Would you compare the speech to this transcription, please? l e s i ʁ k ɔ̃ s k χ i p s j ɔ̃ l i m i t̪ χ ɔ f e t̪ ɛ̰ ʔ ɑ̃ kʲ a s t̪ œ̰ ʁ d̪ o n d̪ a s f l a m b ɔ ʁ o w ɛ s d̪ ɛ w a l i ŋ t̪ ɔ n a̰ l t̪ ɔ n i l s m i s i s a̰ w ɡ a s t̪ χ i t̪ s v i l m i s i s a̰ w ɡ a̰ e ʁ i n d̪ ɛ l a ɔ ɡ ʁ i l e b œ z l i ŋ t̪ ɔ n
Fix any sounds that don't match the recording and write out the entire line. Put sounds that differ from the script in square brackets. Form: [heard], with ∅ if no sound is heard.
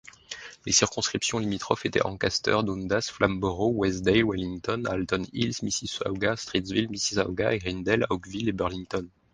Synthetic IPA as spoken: l e s i ʁ k ɔ̃ s k χ i p s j ɔ̃ l i m i t̪ χ ɔ f e t̪ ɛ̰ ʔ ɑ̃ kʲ a s t̪ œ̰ ʁ d̪ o n d̪ a s f l a m b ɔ ʁ o w ɛ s d̪ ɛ w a l i ŋ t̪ ɔ n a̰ l t̪ ɔ n i l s m i s i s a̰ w ɡ a s t̪ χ i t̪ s v i l m i s i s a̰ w ɡ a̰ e ʁ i n d̪ ɛ l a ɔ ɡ [v] i l e b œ [ʁ] l i ŋ t̪ ɔ n